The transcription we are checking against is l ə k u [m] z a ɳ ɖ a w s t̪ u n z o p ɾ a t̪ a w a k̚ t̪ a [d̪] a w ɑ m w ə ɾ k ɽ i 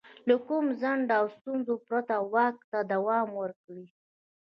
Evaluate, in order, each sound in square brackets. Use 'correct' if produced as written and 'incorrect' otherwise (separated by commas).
correct, correct